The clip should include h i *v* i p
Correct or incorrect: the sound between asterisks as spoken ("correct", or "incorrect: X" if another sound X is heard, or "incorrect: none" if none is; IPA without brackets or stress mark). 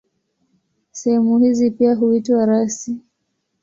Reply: incorrect: z